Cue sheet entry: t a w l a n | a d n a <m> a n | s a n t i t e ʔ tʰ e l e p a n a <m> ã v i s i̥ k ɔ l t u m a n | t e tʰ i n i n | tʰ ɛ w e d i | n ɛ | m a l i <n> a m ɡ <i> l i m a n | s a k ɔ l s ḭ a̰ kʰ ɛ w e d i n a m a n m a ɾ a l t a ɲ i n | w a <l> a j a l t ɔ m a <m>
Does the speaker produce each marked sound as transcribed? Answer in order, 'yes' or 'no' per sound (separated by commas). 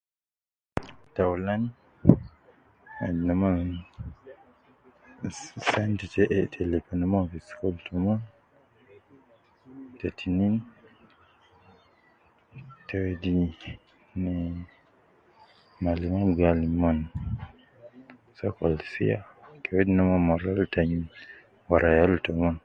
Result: yes, yes, no, no, no, no